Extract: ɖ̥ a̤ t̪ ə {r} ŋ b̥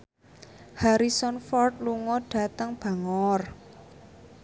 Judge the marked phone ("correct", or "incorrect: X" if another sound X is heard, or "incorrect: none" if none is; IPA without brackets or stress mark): incorrect: none